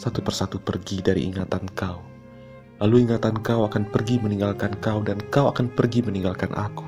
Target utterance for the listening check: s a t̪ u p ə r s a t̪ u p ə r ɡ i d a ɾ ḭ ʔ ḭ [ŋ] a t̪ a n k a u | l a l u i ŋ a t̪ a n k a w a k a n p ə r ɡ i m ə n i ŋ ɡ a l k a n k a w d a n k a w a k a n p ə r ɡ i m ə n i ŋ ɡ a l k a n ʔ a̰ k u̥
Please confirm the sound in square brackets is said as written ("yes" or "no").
yes